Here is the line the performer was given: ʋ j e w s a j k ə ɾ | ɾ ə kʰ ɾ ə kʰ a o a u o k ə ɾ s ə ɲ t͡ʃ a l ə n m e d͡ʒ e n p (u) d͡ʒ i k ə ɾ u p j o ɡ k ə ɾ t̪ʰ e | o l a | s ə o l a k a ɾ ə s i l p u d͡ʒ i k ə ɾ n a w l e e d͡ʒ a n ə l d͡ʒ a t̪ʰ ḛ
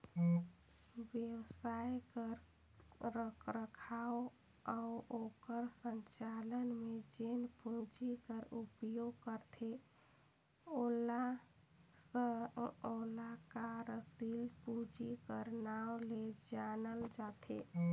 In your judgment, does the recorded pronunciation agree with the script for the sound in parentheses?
yes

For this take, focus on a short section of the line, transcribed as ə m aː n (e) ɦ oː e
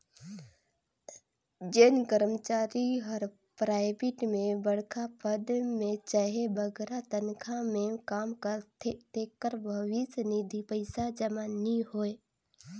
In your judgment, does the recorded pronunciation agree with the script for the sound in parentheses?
no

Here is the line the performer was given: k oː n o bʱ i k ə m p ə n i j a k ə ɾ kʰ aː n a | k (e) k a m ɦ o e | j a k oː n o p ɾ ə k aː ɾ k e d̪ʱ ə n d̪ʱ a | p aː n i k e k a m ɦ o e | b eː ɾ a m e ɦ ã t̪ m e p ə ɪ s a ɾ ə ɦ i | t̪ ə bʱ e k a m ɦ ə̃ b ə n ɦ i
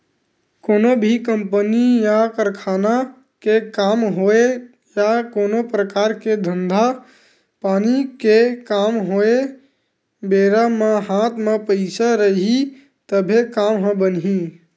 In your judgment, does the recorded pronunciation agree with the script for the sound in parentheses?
yes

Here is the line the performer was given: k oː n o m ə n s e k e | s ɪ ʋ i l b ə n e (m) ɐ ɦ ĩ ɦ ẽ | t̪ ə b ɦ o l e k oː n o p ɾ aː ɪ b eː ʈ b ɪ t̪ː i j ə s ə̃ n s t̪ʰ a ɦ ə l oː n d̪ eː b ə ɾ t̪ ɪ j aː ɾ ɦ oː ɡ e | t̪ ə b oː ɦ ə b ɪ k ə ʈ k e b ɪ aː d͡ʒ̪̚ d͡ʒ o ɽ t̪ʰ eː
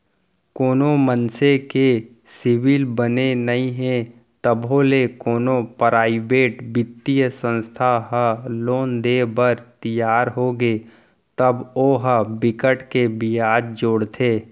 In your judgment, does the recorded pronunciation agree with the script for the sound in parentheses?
no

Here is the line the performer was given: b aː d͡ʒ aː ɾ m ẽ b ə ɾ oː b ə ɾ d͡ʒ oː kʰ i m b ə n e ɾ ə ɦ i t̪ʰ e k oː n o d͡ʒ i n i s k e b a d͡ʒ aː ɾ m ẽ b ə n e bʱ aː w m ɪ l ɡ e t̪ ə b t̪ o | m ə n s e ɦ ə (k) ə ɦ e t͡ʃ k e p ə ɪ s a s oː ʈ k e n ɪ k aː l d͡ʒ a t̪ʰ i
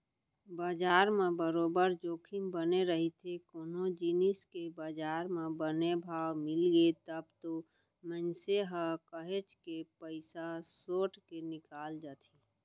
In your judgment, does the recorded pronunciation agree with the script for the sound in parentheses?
yes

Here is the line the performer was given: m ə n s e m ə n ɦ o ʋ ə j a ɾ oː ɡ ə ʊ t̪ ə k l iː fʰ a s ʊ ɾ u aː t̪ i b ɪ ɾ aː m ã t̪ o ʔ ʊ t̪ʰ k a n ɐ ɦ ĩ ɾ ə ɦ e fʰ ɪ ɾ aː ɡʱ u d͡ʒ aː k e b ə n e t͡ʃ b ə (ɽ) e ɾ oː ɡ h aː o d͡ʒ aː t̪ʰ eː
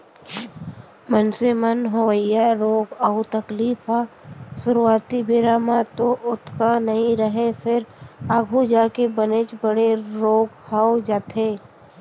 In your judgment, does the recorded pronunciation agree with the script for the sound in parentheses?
yes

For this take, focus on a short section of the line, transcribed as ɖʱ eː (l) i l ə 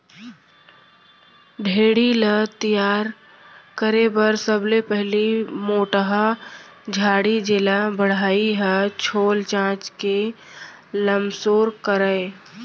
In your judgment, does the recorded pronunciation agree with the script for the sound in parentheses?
no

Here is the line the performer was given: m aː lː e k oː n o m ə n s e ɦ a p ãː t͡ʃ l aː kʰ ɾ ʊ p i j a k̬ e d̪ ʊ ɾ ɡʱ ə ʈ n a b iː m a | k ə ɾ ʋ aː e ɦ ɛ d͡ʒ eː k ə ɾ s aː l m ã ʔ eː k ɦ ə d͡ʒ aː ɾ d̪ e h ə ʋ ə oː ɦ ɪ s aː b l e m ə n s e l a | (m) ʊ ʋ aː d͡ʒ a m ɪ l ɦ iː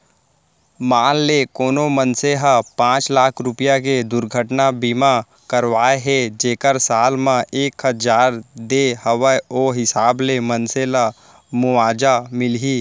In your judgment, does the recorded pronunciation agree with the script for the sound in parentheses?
yes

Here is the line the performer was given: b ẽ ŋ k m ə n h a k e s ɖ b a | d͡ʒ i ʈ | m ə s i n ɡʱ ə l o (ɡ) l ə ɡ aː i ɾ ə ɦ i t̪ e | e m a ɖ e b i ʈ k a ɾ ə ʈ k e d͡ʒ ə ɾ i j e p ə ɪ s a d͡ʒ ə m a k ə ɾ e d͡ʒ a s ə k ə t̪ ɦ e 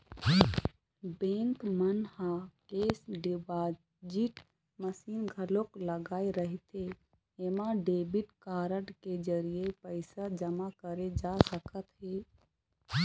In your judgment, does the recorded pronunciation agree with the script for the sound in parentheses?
no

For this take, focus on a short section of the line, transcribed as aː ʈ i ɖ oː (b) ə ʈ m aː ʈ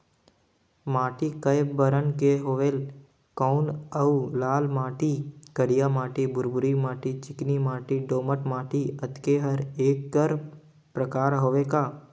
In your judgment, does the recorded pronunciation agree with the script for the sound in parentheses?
no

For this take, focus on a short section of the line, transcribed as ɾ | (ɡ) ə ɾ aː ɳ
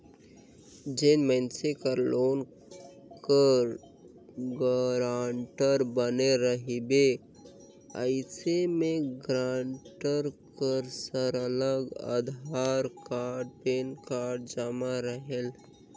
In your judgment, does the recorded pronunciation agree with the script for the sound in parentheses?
yes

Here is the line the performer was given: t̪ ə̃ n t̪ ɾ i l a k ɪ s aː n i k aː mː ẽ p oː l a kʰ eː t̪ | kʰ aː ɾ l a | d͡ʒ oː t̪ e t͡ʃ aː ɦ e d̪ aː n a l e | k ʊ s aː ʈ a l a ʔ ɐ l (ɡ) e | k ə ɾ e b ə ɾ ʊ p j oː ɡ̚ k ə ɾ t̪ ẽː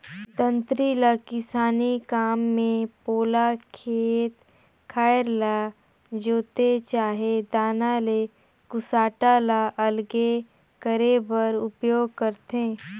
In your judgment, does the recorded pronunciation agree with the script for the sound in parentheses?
yes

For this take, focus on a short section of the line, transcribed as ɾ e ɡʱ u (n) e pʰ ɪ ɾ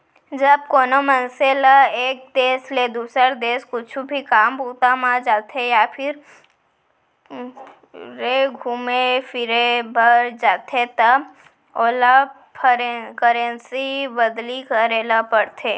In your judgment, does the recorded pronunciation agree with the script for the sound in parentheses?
no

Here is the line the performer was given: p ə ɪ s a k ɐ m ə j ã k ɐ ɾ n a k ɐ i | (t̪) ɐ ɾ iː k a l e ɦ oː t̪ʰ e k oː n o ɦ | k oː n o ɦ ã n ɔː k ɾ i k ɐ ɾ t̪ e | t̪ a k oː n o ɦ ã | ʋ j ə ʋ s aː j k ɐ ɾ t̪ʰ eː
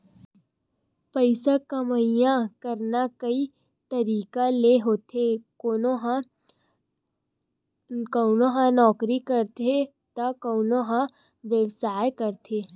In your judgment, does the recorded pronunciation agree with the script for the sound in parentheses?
yes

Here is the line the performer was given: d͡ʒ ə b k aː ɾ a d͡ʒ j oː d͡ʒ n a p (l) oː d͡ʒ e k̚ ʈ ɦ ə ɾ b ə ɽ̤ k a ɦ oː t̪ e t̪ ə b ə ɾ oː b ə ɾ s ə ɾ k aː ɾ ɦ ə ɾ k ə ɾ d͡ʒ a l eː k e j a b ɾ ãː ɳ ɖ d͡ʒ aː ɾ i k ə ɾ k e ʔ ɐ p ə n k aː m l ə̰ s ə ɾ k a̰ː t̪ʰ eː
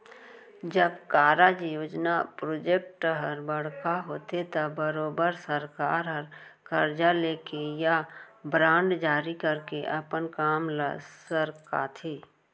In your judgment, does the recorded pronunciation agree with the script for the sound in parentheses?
no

